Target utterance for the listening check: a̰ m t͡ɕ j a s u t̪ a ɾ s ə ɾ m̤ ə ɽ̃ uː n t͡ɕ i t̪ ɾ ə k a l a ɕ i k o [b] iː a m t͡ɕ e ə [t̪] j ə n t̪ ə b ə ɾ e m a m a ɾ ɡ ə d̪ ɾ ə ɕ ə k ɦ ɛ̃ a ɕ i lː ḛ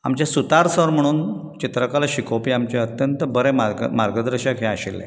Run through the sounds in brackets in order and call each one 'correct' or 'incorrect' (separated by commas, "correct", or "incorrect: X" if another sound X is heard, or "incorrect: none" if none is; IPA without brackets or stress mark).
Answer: incorrect: p, correct